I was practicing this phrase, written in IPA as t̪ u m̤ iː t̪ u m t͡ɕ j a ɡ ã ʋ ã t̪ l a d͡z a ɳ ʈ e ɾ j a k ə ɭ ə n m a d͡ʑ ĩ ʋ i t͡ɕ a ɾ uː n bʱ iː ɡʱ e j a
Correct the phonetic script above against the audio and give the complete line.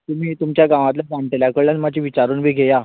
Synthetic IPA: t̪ u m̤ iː t̪ u m t͡ɕ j a ɡ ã ʋ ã t̪ l a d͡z a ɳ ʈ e l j a k ə ɭ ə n m a d͡ʑ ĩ ʋ i t͡ɕ a ɾ uː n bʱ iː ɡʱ e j a